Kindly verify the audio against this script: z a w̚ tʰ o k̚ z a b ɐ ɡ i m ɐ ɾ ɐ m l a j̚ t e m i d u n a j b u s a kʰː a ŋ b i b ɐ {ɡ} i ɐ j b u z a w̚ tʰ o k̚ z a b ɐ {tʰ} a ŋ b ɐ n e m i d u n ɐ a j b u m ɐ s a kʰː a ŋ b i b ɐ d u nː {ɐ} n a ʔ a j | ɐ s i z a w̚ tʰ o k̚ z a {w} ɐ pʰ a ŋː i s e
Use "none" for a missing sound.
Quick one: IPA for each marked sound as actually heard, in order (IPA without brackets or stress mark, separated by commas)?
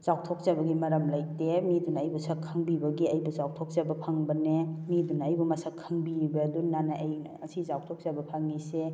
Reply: ɡ, pʰ, a, b